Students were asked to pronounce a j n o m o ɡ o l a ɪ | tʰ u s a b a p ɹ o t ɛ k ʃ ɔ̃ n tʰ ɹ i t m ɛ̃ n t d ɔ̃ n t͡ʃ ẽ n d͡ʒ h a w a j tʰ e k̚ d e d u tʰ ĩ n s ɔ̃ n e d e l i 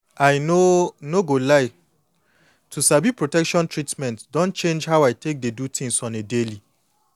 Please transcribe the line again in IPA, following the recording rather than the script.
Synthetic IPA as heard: a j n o n o ɡ o l a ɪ | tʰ u s a b i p ɹ o t ɛ k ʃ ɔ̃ n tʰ ɹ i t m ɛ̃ n t d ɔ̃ n t͡ʃ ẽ n d͡ʒ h a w a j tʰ e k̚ d e d u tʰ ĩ ŋ s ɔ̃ n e d e l i